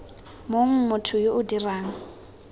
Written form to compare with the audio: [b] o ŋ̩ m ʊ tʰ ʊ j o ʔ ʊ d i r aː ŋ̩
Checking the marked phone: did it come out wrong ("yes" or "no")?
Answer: yes